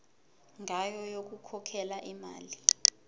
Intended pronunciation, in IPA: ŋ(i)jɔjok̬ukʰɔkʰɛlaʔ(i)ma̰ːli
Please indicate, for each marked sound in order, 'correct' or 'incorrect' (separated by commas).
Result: incorrect, correct